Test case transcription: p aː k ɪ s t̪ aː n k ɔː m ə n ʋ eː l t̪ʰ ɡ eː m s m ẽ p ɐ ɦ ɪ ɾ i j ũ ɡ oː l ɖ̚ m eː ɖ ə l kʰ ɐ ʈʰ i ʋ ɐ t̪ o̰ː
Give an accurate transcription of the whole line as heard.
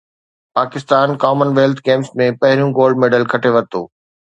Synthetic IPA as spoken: p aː k ɪ s t̪ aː n k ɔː m ə n ʋ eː l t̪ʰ ɡ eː m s m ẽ p ɐ ɦ ɪ ɾ i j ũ ɡ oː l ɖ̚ m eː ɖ ə l kʰ ɐ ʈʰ e ʋ ɐ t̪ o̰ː